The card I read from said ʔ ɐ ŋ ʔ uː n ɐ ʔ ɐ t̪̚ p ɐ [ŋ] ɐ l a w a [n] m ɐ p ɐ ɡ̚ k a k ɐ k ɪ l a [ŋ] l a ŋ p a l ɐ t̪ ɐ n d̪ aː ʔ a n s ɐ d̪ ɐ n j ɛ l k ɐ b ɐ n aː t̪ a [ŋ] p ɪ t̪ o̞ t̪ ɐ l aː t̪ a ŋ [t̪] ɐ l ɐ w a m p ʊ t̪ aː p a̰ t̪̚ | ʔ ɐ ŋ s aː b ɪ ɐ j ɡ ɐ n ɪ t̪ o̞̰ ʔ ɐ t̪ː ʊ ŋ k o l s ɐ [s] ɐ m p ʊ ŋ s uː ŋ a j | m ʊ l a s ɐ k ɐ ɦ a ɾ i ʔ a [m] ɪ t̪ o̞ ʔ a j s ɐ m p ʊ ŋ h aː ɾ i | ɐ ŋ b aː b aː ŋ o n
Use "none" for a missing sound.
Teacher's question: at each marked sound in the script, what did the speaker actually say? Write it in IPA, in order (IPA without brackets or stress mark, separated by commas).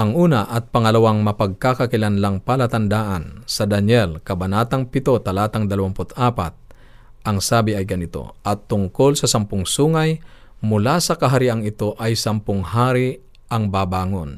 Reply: ŋ, ŋ, n, ŋ, d̪, s, ŋ